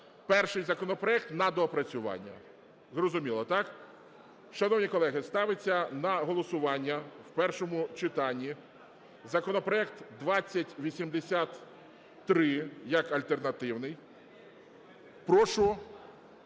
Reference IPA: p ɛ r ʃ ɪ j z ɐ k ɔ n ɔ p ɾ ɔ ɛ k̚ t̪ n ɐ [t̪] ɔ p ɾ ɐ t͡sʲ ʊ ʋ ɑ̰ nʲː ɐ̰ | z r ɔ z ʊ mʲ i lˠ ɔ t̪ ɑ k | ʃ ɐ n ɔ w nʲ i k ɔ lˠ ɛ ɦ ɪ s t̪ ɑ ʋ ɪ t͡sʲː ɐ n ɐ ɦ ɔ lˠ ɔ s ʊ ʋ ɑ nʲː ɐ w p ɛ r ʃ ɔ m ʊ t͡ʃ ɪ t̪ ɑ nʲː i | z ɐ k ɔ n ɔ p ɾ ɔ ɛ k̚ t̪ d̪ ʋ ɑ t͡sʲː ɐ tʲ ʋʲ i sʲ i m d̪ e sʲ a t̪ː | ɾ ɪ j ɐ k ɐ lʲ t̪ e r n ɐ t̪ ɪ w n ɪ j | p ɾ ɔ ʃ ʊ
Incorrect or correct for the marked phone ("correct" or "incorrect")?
incorrect